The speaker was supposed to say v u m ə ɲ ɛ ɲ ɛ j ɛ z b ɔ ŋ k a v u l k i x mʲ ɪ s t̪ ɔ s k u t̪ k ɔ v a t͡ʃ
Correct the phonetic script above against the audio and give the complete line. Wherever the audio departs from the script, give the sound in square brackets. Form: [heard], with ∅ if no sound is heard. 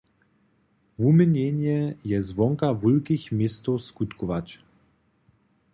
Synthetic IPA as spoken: v u m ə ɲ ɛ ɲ ɛ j ɛ z [v] ɔ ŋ k a v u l k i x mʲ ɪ s t̪ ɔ s k u t̪ k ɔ v a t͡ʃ

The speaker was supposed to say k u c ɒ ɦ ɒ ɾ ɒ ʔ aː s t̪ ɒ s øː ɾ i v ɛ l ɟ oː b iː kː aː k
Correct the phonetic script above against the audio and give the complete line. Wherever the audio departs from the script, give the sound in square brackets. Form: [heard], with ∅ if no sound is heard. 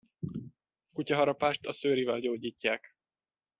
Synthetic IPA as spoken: k u c ɒ ɦ ɒ ɾ ɒ [p] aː [ʃ] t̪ ɒ s øː ɾ i v ɛ l ɟ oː [ɟ] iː [cː] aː k

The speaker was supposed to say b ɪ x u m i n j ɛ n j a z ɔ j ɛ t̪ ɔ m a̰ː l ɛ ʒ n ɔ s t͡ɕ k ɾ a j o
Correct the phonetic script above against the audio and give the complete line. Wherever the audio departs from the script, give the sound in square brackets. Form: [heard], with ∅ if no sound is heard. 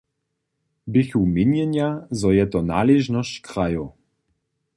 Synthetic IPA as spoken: b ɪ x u m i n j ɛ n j a z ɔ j ɛ t̪ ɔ [n] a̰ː l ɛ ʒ n ɔ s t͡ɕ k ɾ a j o

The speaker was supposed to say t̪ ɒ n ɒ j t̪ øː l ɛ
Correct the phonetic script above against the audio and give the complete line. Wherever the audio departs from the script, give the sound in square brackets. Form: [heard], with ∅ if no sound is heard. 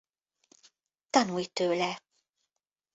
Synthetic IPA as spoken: t̪ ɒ n [u] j t̪ øː l ɛ

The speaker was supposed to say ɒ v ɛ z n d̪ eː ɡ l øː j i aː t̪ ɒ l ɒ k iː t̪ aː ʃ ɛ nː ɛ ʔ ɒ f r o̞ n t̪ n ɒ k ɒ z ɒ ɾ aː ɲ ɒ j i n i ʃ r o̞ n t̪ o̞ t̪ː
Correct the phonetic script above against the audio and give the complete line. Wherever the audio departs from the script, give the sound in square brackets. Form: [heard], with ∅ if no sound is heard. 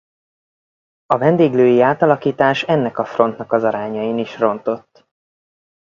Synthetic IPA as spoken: ɒ v ɛ [∅] n d̪ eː ɡ l øː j i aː t̪ ɒ l ɒ k iː t̪ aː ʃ ɛ nː ɛ [k] ɒ f r o̞ n t̪ n ɒ k ɒ z ɒ ɾ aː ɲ ɒ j i n i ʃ r o̞ n t̪ o̞ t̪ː

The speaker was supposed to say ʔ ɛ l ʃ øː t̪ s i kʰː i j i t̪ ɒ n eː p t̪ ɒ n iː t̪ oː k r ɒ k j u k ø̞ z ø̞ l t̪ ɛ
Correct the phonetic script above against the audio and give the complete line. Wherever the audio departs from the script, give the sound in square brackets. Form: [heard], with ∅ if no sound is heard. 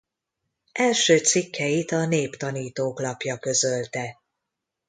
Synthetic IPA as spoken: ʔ ɛ l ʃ øː t̪ s i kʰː [ɛ] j i t̪ ɒ n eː p t̪ ɒ n iː t̪ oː k [l] ɒ [p] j [ɒ] k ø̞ z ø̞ l t̪ ɛ

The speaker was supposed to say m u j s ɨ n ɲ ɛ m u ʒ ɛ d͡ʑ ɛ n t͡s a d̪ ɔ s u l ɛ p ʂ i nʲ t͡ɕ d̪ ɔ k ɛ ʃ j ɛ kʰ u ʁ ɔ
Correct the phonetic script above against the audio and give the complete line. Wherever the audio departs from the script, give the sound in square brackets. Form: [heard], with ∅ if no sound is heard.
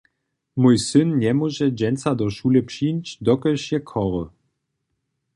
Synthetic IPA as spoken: m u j s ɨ n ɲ ɛ m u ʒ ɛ d͡ʑ ɛ n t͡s a d̪ ɔ [ʃ] u l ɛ p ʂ i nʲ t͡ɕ d̪ ɔ k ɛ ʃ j ɛ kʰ [ɔ] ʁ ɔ

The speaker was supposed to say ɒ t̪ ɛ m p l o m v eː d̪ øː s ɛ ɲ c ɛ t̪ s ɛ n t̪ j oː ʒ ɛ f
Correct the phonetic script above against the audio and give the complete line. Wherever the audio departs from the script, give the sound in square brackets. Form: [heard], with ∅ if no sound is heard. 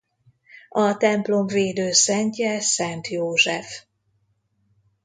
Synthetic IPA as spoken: ɒ t̪ ɛ m p l o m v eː d̪ øː s ɛ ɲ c ɛ [∅] s ɛ n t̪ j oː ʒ ɛ f

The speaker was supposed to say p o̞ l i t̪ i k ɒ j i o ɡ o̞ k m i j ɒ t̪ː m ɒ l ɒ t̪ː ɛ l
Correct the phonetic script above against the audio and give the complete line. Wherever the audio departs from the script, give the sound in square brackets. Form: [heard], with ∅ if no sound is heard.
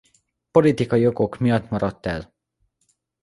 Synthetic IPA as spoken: p o̞ l i t̪ i k ɒ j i o ɡ o̞ k m i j ɒ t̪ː m ɒ [ɾ] ɒ t̪ː ɛ l

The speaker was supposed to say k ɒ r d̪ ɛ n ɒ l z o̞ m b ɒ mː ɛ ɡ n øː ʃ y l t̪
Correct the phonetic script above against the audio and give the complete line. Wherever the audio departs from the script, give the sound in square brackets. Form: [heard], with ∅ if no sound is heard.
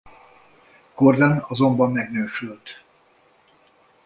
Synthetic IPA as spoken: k [o] r d̪ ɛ n ɒ [∅] z o̞ m b ɒ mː ɛ ɡ n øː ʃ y l t̪

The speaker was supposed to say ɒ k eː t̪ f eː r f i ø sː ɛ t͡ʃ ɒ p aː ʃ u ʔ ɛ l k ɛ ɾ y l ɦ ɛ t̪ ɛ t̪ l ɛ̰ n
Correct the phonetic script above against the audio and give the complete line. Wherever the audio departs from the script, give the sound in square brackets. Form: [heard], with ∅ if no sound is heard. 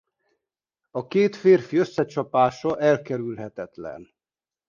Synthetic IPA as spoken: ɒ k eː t̪ f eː r f i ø sː ɛ t͡ʃ ɒ p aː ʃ [ɒ] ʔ ɛ l k ɛ ɾ y l ɦ ɛ t̪ ɛ t̪ l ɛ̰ n

